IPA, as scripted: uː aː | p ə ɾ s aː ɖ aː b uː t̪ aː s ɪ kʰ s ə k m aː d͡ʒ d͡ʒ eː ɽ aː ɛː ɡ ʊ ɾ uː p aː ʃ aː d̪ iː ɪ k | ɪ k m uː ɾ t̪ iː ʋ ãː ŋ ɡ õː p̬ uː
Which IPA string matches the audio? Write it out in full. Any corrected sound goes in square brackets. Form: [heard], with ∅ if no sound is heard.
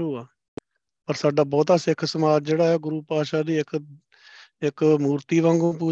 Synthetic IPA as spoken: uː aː | p ə ɾ s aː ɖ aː b [ɔː] t̪ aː s ɪ kʰ s ə [∅] m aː d͡ʒ d͡ʒ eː ɽ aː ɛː ɡ ʊ ɾ uː p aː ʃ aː d̪ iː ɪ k | ɪ k m uː ɾ t̪ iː ʋ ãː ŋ ɡ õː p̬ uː